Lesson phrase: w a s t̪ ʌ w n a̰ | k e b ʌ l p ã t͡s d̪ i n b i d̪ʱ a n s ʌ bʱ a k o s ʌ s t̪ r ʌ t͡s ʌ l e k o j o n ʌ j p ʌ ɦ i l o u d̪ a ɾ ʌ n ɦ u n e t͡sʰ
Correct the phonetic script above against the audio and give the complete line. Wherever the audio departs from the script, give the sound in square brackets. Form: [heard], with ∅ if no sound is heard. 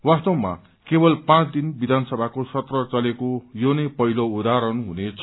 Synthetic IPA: w a s t̪ ʌ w [m] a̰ | k e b ʌ l p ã t͡s d̪ i n b i d̪ʱ a n s ʌ bʱ a k o s ʌ [∅] t̪ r ʌ t͡s ʌ l e k o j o n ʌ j p ʌ ɦ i l o u d̪ a ɾ ʌ n ɦ u n e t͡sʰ